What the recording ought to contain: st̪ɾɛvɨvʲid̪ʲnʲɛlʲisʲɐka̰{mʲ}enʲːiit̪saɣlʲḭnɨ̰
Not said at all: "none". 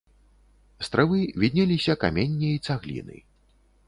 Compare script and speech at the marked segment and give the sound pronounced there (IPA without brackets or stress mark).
mʲ